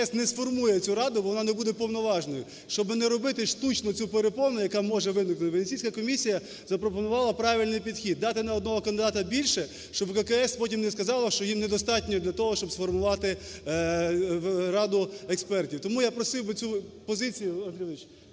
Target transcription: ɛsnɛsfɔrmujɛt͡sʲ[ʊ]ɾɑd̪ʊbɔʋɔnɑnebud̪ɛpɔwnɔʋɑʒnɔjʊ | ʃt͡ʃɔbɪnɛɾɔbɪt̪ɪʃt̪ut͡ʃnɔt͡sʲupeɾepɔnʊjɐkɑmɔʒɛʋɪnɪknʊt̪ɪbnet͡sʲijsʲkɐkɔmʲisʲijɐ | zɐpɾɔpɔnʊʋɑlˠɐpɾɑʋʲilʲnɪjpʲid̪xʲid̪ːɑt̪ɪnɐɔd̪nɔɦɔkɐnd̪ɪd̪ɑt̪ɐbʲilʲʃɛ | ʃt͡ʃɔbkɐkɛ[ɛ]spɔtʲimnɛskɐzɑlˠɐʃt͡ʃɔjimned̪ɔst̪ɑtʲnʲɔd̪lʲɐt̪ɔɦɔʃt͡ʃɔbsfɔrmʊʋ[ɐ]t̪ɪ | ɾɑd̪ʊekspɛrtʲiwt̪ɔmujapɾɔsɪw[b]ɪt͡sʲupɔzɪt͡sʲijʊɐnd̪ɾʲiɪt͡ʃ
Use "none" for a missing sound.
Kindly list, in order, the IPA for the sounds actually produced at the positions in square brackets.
u, ɛ, ɑ, b

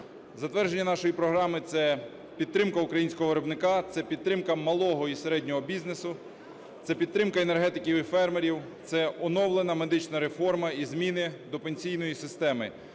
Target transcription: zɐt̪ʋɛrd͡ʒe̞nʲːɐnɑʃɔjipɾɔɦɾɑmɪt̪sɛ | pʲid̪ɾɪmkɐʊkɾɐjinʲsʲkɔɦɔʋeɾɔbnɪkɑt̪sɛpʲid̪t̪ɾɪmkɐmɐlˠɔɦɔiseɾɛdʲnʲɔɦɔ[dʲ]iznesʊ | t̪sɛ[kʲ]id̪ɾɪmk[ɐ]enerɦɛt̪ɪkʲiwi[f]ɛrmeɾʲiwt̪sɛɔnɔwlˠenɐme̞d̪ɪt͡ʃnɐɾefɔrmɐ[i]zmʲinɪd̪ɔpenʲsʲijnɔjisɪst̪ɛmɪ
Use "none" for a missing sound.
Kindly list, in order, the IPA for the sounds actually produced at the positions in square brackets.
bʲ, pʲ, ɐ, f, i

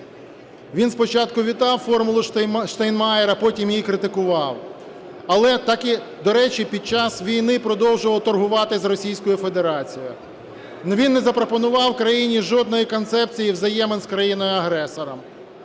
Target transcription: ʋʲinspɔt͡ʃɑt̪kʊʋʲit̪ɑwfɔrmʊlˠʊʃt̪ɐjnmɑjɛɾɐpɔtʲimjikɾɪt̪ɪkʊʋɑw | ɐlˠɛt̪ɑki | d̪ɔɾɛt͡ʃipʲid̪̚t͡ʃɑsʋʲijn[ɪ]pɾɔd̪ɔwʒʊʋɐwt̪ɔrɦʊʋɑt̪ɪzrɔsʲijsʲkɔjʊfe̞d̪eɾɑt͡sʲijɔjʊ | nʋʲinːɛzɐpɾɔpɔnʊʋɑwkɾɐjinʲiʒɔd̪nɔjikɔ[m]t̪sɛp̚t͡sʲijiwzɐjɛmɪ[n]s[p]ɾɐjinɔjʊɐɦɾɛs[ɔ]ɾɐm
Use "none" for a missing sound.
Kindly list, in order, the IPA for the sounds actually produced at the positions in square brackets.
ɪ, n, n, k, ɔ

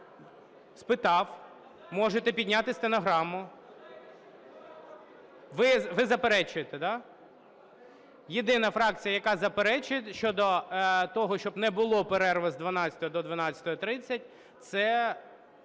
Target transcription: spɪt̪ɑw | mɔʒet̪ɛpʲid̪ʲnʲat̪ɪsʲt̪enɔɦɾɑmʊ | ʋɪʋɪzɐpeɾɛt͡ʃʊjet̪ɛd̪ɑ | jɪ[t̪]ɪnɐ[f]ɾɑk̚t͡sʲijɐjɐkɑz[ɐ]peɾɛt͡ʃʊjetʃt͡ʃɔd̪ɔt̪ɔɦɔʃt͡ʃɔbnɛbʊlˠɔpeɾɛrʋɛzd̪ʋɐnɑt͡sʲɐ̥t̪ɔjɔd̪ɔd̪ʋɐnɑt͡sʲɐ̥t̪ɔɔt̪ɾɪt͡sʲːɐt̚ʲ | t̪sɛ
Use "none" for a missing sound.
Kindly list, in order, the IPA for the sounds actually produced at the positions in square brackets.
d̪, f, ɐ

